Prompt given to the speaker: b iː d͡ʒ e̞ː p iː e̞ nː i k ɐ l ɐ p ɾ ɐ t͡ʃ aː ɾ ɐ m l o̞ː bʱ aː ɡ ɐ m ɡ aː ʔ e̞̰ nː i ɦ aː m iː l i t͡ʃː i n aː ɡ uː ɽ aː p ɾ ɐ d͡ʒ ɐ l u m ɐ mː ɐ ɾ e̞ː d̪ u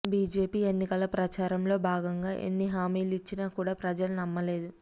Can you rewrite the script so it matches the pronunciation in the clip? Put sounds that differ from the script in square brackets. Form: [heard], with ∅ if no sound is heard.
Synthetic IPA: b iː d͡ʒ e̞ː p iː e̞ nː i k ɐ l ɐ p ɾ ɐ t͡ʃ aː ɾ ɐ m l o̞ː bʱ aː ɡ ɐ [ŋ] ɡ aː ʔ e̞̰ nː i ɦ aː m iː l i t͡ʃː i n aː [k] uː ɽ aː p ɾ ɐ d͡ʒ ɐ l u [n] ɐ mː ɐ [l] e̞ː d̪ u